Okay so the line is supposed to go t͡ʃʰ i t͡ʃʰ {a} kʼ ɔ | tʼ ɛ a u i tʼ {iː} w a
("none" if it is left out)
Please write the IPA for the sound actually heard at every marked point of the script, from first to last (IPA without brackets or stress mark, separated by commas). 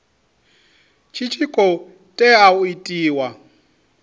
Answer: i, iː